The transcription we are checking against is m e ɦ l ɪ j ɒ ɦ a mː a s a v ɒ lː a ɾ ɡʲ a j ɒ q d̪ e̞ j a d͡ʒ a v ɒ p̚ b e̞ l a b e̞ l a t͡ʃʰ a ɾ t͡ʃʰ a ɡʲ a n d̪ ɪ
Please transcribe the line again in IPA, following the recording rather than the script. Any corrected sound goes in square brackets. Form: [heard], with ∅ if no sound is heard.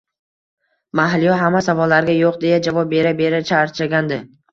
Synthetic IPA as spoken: m [a] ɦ l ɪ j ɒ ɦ a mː a s a v ɒ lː a ɾ ɡʲ a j [o] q d̪ e̞ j a d͡ʒ a v ɒ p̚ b e̞ [ɾ] a b e̞ [ɾ] a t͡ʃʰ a ɾ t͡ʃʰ a ɡʲ a n d̪ ɪ